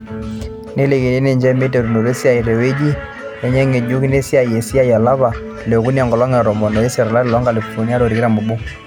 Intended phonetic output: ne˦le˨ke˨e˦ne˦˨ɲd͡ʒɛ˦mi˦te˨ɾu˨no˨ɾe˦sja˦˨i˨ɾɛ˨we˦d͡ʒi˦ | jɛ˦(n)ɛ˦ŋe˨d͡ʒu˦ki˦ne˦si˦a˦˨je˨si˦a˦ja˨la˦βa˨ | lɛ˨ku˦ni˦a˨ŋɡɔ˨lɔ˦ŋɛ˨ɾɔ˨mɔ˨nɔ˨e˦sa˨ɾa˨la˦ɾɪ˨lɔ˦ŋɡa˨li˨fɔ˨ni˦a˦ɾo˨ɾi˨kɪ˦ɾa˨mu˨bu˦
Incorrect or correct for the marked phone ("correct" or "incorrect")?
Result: incorrect